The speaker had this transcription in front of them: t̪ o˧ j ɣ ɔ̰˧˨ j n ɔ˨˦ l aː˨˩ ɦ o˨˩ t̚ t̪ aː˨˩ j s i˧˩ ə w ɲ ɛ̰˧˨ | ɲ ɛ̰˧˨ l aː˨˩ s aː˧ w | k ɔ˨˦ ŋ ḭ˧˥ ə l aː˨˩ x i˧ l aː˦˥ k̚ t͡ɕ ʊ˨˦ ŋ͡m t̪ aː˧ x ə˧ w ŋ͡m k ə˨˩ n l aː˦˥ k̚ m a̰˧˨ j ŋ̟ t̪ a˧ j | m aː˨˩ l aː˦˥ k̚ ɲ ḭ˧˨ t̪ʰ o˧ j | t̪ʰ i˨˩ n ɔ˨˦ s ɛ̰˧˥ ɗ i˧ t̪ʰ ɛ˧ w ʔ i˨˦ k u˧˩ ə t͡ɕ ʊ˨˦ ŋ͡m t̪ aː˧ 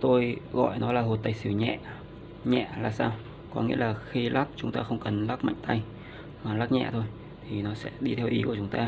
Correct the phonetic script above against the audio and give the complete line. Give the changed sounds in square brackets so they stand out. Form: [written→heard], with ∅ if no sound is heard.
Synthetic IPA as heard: t̪ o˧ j ɣ ɔ̰˧˨ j n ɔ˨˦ l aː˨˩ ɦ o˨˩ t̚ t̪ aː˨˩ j s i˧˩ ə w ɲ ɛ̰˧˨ | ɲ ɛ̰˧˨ l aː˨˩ s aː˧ w | k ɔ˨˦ ŋ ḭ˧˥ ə l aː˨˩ x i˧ l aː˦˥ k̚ t͡ɕ ʊ˨˦ ŋ͡m t̪ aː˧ x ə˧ w ŋ͡m k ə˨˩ n l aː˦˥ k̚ m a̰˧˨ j ŋ̟ t̪ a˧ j | m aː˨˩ l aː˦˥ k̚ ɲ [ḭ˧˨→ɛ̰˧˨] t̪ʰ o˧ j | t̪ʰ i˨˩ n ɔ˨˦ s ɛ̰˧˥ ɗ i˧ t̪ʰ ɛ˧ w ʔ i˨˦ k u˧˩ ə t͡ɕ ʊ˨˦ ŋ͡m t̪ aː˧

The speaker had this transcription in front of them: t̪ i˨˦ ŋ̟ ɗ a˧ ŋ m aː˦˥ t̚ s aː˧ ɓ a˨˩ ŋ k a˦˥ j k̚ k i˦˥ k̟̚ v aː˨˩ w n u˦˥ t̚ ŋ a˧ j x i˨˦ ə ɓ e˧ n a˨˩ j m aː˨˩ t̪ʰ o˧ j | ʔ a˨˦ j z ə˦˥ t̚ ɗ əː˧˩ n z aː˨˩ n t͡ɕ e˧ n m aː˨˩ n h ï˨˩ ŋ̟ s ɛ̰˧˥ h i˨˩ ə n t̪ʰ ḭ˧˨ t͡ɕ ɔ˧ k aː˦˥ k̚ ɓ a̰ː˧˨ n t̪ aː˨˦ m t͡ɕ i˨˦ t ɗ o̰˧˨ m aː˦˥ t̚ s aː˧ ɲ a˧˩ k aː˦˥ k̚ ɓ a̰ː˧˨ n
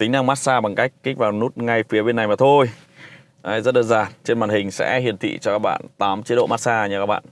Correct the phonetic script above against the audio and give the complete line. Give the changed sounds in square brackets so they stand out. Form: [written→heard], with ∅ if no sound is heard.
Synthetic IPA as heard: t̪ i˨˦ ŋ̟ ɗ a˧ ŋ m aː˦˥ t̚ s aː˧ ɓ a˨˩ ŋ k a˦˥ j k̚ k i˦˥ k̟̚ v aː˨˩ w n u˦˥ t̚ ŋ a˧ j [x→f] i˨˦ ə ɓ e˧ n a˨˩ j m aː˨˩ t̪ʰ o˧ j | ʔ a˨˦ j z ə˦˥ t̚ ɗ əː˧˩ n z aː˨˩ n t͡ɕ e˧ n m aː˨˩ n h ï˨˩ ŋ̟ s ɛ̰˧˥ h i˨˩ ə n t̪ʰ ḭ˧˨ t͡ɕ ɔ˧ k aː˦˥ k̚ ɓ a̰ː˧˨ n t̪ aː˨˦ m t͡ɕ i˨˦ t ɗ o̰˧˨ m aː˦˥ t̚ s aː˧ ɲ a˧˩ k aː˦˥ k̚ ɓ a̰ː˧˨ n

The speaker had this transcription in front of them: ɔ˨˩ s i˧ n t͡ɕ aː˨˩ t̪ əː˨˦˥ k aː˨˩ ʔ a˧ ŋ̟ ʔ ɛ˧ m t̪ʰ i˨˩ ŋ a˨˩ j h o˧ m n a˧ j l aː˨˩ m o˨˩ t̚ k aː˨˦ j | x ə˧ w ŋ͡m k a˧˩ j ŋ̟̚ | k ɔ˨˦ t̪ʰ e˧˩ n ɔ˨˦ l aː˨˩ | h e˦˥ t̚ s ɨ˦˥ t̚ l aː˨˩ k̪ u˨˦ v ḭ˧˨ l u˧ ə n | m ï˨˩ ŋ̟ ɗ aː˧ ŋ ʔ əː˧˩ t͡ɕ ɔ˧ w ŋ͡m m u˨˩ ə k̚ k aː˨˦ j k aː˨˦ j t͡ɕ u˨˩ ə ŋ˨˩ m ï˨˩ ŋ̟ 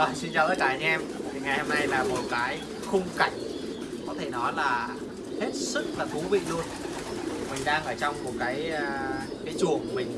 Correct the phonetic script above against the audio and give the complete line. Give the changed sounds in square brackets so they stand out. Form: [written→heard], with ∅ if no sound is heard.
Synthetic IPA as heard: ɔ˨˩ s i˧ n t͡ɕ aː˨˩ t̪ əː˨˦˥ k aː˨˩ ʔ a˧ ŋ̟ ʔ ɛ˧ m t̪ʰ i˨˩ ŋ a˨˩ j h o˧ m n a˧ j l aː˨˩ m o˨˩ t̚ k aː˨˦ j | x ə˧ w ŋ͡m k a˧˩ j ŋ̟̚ | k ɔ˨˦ t̪ʰ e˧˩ n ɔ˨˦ l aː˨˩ | h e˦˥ t̚ s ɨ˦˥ [t̚→k̚] l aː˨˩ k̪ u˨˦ v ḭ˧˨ l u˧ ə n | m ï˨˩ ŋ̟ ɗ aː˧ ŋ ʔ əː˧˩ t͡ɕ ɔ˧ w ŋ͡m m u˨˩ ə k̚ k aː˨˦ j k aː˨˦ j t͡ɕ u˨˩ ə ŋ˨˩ m ï˨˩ ŋ̟

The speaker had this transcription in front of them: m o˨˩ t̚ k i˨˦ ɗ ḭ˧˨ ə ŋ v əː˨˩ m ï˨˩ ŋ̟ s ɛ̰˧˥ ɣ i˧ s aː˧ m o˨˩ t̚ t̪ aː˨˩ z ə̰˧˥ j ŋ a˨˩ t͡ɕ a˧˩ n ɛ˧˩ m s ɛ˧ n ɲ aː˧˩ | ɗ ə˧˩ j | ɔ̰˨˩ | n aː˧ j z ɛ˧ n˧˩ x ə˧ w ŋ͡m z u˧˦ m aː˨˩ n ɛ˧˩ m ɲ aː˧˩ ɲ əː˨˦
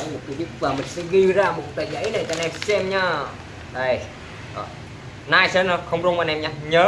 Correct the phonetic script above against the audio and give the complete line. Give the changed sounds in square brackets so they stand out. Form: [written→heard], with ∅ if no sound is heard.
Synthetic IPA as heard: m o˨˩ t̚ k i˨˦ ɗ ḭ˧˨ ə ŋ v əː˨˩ m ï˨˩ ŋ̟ s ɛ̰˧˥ ɣ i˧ [s→z] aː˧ m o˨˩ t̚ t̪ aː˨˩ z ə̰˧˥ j [ŋ→n] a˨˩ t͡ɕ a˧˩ n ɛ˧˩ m s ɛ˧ [n→m] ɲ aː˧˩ | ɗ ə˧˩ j | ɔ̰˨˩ | n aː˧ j [z→s] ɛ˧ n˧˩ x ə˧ w ŋ͡m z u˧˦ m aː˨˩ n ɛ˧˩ m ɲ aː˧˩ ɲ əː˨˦

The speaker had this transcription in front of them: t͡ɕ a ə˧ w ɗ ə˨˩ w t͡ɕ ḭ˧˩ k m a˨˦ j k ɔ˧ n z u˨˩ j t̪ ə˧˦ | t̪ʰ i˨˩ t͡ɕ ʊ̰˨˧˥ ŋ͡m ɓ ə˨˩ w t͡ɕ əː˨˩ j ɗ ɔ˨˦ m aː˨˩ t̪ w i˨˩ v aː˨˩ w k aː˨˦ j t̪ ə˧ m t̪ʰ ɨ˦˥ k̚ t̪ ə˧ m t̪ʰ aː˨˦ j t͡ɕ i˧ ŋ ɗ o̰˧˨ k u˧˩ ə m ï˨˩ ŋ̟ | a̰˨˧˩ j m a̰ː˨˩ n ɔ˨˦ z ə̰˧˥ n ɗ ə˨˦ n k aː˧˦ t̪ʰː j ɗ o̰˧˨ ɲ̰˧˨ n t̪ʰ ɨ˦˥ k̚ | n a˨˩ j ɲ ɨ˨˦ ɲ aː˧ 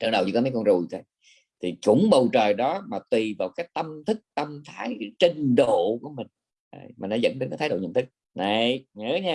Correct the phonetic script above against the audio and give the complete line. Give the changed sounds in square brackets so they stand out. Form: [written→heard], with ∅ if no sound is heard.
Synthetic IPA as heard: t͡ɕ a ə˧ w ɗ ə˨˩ w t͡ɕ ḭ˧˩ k m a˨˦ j k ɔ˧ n z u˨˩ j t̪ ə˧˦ | t̪ʰ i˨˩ t͡ɕ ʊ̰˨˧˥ ŋ͡m ɓ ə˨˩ w t͡ɕ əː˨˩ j ɗ ɔ˨˦ m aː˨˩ t̪ w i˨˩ v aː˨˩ w k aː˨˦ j t̪ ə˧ m t̪ʰ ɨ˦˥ k̚ t̪ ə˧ m t̪ʰ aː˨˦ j t͡ɕ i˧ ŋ ɗ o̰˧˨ k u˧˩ ə m ï˨˩ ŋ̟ | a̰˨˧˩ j m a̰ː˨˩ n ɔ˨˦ z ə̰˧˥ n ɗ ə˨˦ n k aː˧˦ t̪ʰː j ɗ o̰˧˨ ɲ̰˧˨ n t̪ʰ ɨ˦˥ k̚ | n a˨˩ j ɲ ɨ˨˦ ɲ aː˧

